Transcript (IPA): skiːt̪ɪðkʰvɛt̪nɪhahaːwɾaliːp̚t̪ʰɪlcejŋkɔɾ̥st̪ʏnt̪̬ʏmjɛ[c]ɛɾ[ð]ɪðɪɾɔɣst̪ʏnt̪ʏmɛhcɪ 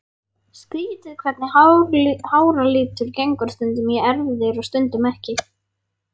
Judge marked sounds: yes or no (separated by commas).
no, no